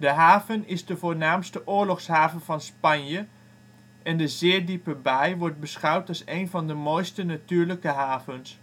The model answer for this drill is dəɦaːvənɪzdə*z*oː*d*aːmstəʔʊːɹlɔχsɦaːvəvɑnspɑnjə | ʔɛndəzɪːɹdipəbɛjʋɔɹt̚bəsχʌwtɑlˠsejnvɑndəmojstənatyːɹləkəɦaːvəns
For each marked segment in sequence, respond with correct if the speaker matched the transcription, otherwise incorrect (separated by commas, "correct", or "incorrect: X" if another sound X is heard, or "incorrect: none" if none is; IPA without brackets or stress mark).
incorrect: v, incorrect: n